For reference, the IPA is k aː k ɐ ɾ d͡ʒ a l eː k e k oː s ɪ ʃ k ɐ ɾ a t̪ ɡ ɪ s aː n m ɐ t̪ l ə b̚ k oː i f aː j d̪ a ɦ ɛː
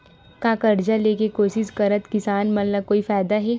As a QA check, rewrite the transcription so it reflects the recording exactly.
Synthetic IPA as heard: k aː k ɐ ɾ d͡ʒ a l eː k e k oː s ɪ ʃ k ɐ ɾ ə t̪ k ɪ s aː n m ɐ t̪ l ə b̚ k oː i f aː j d̪ a ɦ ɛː